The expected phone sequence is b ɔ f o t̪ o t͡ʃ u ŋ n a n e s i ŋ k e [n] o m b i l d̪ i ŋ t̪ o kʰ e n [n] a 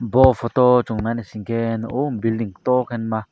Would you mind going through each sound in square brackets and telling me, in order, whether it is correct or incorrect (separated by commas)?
correct, incorrect